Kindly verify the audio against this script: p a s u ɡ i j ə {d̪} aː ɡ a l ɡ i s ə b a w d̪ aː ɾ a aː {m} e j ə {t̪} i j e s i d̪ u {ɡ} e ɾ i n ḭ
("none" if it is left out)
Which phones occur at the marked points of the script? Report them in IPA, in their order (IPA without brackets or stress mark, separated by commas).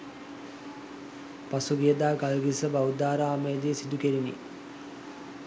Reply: d̪, m, d̪, k